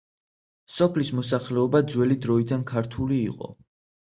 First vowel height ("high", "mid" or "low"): mid